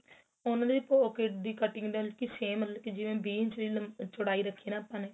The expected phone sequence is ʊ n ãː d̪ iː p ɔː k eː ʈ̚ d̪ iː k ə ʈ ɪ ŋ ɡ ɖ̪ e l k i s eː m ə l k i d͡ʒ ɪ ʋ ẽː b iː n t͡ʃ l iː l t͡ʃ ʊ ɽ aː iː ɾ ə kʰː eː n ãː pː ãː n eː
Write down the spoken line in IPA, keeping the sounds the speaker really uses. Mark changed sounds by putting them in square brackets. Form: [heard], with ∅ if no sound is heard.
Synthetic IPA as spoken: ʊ n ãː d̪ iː p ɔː k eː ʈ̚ d̪ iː k ə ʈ ɪ ŋ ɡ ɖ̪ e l k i s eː m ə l k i d͡ʒ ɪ ʋ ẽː b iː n t͡ʃ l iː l t͡ʃ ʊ ɽ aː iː ɾ ə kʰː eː n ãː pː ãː n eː